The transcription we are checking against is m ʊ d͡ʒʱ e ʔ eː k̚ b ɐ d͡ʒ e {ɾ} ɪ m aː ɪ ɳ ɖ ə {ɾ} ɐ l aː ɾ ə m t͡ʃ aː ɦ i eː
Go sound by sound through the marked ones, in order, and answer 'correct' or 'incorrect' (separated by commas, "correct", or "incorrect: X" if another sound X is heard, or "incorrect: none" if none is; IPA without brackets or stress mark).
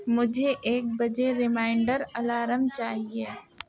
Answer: correct, correct